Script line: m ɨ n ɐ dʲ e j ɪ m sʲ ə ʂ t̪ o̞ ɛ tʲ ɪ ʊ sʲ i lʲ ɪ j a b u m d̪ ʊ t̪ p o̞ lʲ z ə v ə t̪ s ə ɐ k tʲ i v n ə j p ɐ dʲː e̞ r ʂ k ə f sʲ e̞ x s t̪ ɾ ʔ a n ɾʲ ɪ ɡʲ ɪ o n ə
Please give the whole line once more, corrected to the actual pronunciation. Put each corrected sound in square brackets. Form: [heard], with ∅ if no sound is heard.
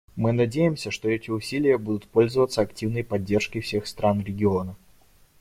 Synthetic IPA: m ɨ n ɐ dʲ e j ɪ m sʲ ə ʂ t̪ o̞ ɛ tʲ ɪ ʊ sʲ i lʲ ɪ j [ə] b u [∅] d̪ ʊ t̪ p o̞ lʲ z ə v ə t̪ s ə ɐ k tʲ i v n ə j p ɐ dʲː e̞ r ʂ k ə f sʲ e̞ x s t̪ ɾ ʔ a n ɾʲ ɪ ɡʲ ɪ o n ə